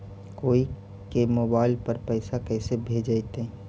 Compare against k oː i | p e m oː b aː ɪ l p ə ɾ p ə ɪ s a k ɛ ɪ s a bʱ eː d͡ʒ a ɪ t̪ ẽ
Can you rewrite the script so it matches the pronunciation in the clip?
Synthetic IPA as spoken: k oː i | k e m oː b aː ɪ l p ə ɾ p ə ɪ s a k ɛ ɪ s e bʱ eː d͡ʒ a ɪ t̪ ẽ